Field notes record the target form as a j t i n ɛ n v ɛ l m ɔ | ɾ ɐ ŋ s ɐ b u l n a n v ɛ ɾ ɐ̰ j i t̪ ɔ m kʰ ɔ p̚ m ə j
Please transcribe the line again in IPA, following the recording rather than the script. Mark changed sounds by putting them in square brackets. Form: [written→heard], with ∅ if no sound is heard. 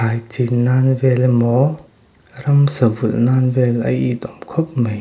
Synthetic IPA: a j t i n [ɛ→a] n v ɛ l m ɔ | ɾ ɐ [ŋ→m] s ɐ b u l n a n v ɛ [ɾ→l] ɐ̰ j i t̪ ɔ m kʰ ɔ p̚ m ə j